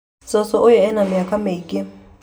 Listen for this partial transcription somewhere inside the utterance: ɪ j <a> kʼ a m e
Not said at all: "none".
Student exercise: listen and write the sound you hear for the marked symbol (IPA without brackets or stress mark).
a